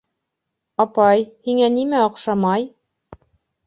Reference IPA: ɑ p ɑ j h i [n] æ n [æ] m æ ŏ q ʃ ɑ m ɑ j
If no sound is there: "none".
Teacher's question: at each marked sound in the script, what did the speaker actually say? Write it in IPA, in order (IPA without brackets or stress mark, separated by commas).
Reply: ŋ, i